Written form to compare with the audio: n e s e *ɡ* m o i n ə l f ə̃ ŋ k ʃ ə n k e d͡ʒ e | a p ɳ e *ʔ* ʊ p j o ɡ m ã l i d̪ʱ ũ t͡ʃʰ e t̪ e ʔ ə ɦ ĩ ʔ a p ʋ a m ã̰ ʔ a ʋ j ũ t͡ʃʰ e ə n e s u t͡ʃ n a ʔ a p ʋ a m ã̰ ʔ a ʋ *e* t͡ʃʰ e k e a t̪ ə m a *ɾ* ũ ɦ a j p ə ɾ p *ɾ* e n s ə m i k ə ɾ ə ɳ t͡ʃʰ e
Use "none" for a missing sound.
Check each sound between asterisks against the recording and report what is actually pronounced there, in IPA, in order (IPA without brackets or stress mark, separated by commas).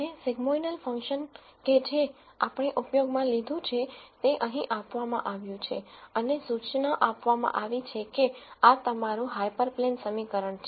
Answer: ɡ, ʔ, i, ɾ, l